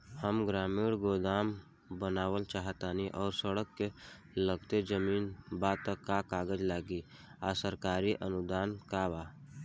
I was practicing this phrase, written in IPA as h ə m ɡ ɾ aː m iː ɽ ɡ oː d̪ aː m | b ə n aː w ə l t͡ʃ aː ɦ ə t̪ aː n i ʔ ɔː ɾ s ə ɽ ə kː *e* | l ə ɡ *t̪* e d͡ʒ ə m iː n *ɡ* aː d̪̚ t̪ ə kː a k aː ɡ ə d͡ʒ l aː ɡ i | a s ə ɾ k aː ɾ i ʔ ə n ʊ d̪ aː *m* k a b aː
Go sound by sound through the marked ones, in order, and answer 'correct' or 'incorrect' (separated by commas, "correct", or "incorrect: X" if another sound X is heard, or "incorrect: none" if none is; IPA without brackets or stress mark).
correct, correct, incorrect: b, incorrect: n